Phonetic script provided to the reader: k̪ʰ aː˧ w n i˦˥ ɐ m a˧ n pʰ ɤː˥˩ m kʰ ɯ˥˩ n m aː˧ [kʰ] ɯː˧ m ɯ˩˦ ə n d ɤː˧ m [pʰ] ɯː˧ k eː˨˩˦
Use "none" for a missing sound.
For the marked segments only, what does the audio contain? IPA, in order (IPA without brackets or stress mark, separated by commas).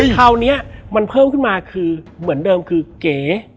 kʰ, kʰ